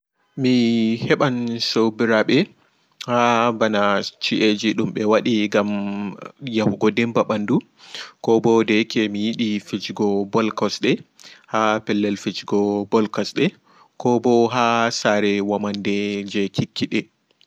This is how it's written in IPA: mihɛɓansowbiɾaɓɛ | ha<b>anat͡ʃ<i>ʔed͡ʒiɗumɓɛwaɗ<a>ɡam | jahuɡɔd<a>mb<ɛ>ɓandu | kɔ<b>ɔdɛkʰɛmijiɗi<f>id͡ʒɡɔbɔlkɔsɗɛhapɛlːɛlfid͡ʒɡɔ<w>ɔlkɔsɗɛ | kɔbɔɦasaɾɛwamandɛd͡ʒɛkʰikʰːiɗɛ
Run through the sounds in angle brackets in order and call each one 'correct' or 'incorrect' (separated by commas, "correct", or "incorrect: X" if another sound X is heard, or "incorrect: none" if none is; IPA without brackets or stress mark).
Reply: correct, correct, incorrect: i, incorrect: ɛ, incorrect: a, correct, correct, incorrect: b